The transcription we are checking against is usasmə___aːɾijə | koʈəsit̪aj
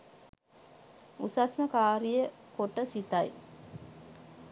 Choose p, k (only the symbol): k